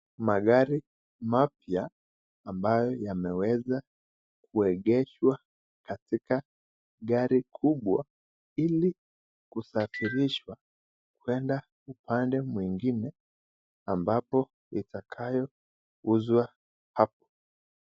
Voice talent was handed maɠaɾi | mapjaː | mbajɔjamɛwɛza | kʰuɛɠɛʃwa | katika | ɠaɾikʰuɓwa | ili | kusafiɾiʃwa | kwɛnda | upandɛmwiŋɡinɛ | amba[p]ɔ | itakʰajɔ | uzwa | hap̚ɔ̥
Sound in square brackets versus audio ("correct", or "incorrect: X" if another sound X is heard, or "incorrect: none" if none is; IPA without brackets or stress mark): correct